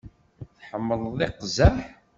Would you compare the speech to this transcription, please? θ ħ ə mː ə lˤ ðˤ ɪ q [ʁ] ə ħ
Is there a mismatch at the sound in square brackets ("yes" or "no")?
yes